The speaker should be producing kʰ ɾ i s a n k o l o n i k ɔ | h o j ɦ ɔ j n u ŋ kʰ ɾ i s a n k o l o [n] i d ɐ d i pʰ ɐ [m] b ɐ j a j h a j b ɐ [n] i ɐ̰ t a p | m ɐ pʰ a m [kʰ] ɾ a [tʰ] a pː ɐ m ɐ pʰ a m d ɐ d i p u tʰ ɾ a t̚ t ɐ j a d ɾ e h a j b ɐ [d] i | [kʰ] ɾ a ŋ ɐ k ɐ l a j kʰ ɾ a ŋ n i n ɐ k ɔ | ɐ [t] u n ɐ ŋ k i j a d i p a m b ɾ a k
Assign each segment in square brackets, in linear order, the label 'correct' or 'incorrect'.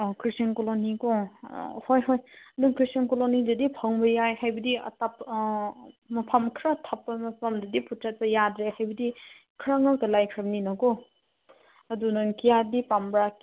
correct, incorrect: ŋ, incorrect: d, correct, correct, correct, correct, incorrect: d

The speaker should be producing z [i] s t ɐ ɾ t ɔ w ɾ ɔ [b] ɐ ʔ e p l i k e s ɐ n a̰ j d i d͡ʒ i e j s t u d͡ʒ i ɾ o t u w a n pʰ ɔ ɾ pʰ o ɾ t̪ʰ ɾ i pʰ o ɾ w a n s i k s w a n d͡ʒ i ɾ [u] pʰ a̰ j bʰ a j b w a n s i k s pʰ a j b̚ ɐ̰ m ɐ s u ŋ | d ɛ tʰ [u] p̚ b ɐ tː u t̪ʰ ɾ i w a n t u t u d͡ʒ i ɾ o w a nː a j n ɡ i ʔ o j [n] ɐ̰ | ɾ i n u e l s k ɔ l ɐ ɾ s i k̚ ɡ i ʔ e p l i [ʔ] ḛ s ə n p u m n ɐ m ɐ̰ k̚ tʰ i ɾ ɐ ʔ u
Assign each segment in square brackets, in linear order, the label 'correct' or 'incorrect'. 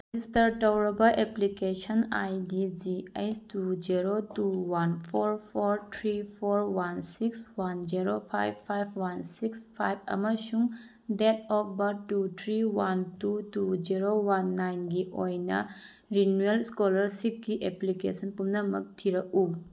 correct, correct, incorrect: o, incorrect: ɔ, correct, incorrect: k

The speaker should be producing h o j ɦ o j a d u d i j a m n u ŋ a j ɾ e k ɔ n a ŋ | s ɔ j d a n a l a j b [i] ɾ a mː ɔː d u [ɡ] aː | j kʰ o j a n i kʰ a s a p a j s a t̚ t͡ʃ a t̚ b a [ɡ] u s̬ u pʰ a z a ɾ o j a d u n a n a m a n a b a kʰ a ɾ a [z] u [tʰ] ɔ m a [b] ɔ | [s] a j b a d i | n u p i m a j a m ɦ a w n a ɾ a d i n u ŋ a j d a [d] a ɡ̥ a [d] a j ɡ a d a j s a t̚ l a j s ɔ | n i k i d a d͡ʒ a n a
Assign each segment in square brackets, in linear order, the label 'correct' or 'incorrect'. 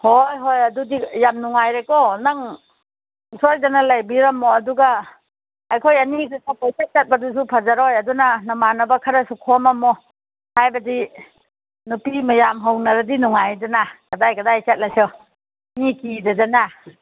correct, correct, incorrect: d, incorrect: s, incorrect: kʰ, incorrect: m, incorrect: h, incorrect: n, correct

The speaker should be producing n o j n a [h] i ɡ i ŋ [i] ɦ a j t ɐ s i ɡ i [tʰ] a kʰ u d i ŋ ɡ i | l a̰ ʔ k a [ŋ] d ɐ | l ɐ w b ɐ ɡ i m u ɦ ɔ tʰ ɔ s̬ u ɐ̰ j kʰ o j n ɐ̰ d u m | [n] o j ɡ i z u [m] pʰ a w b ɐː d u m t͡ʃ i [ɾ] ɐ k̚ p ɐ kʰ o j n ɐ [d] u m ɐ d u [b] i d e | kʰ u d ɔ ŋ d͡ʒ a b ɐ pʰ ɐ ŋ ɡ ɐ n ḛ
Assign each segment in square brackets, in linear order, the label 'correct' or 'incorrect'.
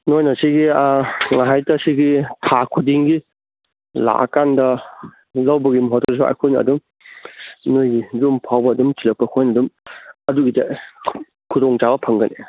incorrect: s, incorrect: a, correct, incorrect: n, correct, correct, incorrect: l, correct, incorrect: ɡ

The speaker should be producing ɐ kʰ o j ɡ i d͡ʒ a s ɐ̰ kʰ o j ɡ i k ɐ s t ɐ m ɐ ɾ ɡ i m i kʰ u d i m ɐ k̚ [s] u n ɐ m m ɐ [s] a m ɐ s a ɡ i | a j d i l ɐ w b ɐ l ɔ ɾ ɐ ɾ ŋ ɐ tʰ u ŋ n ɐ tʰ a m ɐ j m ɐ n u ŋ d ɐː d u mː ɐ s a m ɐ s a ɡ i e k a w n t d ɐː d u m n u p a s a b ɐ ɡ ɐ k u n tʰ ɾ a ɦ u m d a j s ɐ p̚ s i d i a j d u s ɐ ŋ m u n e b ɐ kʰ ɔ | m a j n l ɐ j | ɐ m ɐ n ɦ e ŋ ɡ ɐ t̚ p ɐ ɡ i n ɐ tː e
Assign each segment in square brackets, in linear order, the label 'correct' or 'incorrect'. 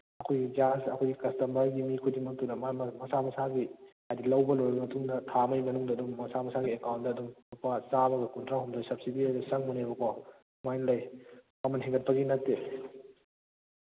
incorrect: t, correct

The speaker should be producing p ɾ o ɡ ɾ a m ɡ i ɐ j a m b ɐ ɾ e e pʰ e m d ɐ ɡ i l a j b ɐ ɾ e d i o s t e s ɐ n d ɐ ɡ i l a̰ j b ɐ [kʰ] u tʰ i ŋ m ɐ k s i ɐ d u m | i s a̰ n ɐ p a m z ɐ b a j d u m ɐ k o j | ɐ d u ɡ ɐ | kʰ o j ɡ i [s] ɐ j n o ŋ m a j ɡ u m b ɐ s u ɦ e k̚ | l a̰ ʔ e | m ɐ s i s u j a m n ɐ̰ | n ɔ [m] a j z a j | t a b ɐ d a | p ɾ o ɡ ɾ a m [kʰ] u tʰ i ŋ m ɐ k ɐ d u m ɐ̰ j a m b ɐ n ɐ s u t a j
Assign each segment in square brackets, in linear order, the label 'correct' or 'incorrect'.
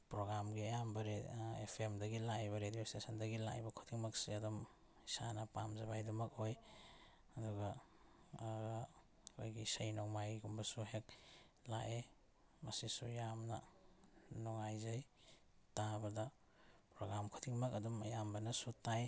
correct, correct, incorrect: ŋ, correct

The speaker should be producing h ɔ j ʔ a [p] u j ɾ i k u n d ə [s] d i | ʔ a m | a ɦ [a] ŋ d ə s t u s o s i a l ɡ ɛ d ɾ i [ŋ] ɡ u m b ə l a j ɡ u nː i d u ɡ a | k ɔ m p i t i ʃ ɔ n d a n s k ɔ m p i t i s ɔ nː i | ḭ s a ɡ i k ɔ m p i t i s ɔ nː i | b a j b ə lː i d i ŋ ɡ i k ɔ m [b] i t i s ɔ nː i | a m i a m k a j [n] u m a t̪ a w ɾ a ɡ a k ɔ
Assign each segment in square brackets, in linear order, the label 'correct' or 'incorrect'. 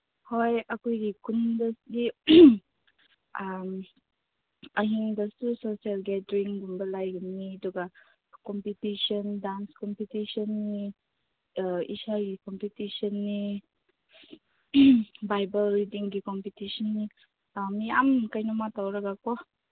incorrect: k, correct, incorrect: i, correct, incorrect: p, correct

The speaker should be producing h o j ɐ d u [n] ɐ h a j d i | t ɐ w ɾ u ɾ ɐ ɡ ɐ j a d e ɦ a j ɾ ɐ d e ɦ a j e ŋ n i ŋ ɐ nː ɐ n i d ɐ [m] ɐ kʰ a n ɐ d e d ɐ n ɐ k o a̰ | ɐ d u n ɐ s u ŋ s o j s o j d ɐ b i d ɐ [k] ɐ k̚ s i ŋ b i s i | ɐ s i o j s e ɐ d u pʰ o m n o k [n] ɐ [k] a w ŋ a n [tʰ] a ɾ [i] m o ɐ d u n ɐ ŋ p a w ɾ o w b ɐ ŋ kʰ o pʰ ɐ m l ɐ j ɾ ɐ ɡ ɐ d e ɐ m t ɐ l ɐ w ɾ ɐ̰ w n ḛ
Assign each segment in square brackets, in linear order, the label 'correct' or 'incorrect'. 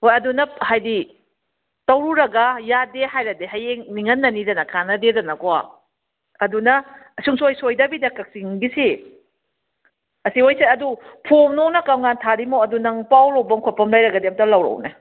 correct, incorrect: n, correct, correct, correct, correct, correct

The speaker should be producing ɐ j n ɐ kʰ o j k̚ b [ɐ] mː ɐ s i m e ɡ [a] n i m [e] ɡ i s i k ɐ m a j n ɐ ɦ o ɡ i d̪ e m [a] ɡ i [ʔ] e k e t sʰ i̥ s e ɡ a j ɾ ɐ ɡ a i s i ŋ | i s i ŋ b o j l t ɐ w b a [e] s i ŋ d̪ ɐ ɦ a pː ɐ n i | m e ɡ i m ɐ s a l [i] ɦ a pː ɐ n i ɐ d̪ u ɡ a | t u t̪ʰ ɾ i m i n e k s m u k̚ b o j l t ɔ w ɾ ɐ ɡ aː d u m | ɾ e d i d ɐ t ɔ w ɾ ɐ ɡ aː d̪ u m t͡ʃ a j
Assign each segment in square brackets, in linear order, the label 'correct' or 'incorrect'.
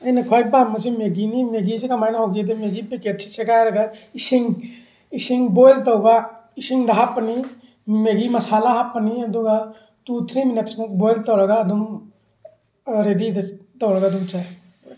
incorrect: a, incorrect: i, correct, incorrect: e, incorrect: p, incorrect: i, incorrect: a

